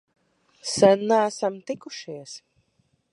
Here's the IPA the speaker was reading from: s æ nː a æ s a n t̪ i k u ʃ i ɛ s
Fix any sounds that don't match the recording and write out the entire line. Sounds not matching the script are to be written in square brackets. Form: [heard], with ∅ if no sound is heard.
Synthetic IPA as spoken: s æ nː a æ s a [m] t̪ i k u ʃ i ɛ s